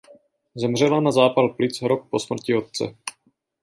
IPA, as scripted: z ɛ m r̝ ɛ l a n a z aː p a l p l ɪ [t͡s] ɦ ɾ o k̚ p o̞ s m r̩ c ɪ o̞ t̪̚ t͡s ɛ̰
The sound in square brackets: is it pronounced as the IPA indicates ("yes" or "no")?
yes